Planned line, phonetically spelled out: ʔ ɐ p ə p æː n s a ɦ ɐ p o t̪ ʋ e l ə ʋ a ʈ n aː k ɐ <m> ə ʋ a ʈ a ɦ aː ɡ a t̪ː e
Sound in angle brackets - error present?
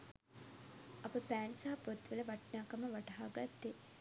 no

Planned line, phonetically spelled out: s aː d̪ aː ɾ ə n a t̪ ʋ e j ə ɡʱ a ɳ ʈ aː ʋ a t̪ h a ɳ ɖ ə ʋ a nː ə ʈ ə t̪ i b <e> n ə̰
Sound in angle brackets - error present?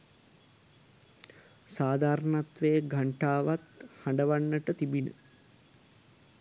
yes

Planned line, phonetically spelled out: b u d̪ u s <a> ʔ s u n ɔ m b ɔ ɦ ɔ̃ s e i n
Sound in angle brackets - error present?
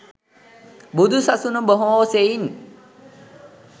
no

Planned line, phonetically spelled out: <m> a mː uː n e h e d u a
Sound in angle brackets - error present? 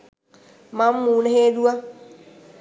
no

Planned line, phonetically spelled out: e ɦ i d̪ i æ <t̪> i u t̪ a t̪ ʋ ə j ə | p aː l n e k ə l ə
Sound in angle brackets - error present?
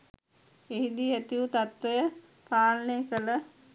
no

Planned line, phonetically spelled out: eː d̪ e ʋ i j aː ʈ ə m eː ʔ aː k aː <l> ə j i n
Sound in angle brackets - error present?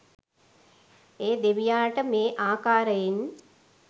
yes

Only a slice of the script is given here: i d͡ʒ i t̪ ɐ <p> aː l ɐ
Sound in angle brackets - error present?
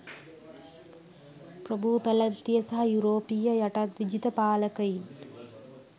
no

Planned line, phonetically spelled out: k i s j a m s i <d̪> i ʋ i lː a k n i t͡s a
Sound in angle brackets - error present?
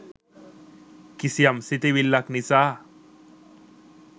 yes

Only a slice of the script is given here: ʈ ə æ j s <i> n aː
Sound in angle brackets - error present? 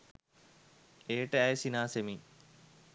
no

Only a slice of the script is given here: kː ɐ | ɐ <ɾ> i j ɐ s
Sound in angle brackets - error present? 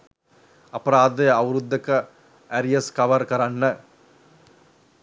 no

